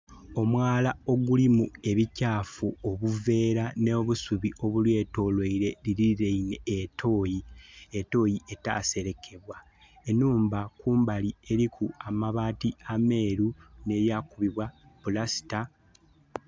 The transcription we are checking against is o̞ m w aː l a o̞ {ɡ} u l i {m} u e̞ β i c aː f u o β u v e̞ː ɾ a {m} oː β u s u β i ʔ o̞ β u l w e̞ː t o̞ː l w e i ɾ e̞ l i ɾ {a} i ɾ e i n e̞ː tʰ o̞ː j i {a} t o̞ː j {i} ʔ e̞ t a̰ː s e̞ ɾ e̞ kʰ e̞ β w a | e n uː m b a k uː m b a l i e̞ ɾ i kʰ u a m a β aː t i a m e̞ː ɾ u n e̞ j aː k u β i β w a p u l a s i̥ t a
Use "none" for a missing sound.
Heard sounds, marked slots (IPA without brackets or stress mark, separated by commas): ɡ, m, n, i, e, i